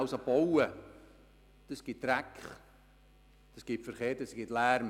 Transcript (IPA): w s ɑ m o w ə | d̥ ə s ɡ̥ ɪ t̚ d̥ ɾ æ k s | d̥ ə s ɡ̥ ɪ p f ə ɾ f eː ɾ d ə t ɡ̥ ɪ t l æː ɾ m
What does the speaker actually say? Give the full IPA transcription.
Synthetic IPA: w s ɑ b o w ə | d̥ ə s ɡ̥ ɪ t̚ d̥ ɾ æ k χ | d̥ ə s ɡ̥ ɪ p f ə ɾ χ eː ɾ d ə s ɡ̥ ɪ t l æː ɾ m